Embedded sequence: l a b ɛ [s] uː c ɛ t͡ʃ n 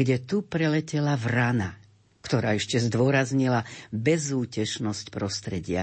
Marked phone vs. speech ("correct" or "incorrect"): incorrect